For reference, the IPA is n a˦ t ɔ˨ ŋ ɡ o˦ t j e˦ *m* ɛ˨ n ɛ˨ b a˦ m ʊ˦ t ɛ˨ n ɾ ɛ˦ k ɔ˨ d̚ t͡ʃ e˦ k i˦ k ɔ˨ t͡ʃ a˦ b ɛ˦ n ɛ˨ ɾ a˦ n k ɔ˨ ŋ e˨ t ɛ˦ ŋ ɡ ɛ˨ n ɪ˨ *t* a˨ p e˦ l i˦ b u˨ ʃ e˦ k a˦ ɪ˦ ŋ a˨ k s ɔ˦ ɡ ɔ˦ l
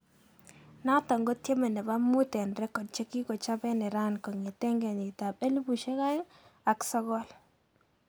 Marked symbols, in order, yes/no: yes, yes

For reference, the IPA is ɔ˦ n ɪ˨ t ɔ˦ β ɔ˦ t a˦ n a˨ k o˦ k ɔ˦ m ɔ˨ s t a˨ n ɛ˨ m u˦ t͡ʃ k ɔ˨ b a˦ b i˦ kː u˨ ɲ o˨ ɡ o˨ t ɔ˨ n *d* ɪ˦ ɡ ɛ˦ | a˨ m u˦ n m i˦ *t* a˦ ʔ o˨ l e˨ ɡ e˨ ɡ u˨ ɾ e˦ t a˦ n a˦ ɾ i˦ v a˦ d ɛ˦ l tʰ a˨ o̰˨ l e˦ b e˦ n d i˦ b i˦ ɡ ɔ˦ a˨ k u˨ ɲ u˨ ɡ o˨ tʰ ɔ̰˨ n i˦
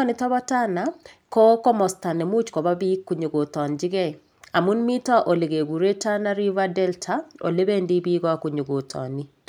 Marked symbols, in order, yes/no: no, yes

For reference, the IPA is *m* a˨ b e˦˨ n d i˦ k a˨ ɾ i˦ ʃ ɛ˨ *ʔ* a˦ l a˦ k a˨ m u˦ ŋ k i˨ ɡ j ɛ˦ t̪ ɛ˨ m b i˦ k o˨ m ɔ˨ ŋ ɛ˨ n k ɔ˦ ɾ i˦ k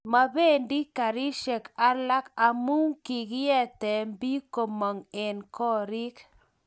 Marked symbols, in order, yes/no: yes, no

